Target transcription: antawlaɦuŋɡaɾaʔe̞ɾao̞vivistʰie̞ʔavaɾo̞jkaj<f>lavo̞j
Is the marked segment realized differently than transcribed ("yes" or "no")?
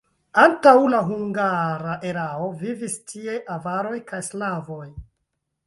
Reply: yes